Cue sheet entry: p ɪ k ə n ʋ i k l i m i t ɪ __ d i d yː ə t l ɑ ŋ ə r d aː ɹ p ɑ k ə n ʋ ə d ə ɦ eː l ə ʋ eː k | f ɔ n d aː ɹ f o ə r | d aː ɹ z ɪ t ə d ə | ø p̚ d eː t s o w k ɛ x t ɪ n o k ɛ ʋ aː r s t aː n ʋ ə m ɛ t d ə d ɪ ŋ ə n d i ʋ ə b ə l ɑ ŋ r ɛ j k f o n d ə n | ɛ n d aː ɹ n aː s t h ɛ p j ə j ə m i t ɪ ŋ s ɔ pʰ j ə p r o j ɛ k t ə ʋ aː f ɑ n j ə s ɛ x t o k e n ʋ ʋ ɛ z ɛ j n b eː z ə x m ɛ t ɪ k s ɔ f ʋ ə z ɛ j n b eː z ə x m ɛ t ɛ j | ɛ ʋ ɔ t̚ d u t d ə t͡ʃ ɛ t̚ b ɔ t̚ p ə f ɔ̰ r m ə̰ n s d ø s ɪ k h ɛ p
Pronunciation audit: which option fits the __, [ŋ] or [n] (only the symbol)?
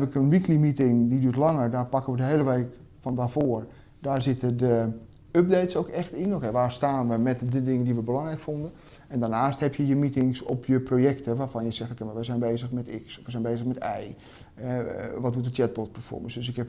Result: ŋ